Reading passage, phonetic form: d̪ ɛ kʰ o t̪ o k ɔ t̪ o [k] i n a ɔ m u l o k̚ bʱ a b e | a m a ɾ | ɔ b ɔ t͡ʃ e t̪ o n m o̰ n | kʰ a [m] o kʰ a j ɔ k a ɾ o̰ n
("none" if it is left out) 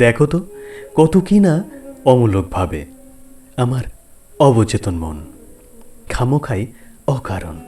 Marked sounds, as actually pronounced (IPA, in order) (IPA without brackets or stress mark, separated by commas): k, m